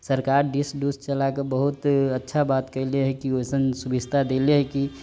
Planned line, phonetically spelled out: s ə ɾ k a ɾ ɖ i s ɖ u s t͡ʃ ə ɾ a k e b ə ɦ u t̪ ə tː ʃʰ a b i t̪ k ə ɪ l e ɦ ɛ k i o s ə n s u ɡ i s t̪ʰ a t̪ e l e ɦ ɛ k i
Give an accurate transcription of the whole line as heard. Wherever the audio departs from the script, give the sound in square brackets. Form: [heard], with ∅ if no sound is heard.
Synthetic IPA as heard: s ə ɾ k a ɾ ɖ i s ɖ u s t͡ʃ ə [l] a k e b ə ɦ u t̪ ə tː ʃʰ a b [a] t̪ k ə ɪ l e ɦ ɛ k i o s ə n s u [b] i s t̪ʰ a [d̪] e l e ɦ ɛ k i